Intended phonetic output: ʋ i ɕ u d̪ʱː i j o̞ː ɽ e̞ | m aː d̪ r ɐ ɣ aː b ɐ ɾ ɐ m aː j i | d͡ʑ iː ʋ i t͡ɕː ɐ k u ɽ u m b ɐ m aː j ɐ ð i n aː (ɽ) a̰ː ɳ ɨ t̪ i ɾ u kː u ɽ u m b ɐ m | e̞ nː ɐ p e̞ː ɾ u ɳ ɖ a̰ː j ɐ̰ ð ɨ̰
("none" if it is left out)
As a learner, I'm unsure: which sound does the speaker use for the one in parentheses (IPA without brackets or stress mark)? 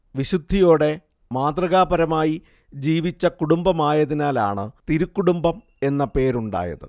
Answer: l